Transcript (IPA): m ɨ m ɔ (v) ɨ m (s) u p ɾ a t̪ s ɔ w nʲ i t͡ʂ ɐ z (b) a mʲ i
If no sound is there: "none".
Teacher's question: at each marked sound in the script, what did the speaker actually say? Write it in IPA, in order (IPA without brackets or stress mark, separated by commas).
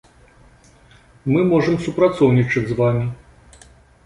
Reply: ʐ, s, v